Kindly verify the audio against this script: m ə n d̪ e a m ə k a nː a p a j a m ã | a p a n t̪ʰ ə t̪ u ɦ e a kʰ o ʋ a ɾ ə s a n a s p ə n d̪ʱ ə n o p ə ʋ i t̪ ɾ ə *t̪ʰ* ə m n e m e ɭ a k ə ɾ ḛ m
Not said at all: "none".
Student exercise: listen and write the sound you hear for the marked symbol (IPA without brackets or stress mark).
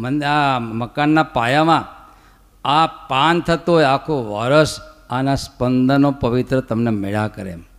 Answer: t̪